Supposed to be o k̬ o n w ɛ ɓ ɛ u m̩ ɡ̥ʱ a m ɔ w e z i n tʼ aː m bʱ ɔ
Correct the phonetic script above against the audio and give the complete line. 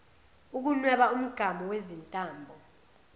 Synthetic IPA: u k̬ u n w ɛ ɓ a u m̩ ɡ̥ʱ a m ɔ w e z i n tʼ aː m bʱ ɔ